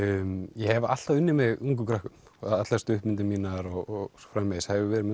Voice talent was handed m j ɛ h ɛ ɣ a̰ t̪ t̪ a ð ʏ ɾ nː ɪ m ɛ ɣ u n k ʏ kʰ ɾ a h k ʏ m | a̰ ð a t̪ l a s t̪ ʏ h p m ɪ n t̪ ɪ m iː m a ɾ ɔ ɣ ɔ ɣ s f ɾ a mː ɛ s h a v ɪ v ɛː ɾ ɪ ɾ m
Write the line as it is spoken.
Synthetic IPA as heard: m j ɛ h ɛ v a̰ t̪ t̪ a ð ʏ nː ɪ m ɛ ɣ u ŋ k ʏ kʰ ɾ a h k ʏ m | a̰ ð a t̪ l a s t̪ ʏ h p m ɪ n t̪ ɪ m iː n a ɾ ɔ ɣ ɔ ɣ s f ɾ a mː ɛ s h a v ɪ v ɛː ɾ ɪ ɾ m